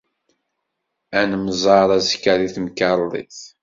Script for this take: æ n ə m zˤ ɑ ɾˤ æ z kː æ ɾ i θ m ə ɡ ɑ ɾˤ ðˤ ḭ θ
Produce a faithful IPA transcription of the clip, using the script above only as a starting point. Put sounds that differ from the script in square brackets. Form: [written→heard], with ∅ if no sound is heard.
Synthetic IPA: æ n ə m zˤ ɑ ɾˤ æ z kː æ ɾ i θ m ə [ɡ→k] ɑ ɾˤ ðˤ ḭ θ